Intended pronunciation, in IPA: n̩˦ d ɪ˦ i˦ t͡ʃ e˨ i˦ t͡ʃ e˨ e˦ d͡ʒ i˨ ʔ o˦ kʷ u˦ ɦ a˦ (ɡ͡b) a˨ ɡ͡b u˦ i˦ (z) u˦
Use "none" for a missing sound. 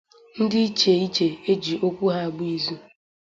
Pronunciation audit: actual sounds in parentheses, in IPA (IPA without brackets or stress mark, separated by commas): none, z